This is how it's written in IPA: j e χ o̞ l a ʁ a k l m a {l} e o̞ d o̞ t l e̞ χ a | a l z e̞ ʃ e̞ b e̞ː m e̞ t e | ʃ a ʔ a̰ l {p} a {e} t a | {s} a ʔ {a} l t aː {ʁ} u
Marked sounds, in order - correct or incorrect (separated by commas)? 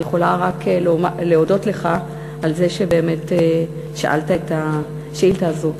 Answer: correct, incorrect, correct, incorrect, incorrect, incorrect